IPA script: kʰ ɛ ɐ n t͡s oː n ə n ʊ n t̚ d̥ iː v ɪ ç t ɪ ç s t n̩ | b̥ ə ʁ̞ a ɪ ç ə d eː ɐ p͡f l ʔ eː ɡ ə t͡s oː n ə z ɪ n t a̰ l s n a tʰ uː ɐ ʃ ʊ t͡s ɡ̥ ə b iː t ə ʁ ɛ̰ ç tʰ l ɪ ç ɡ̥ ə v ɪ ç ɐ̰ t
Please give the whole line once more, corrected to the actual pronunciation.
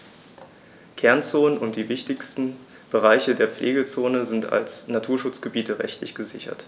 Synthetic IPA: kʰ ɛ ɐ n t͡s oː n ə n ʊ n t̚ d̥ iː v ɪ ç t ɪ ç s t n̩ | b̥ ə ʁ̞ a ɪ ç ə d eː ɐ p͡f l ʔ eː ɡ ə t͡s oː n ə z ɪ n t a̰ l s n a tʰ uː ɐ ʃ ʊ t͡s ɡ̥ ə b iː t ə ʁ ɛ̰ ç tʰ l ɪ ç ɡ̥ ə z ɪ ç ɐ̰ t